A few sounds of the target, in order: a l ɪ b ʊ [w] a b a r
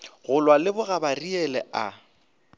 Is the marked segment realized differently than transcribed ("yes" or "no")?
yes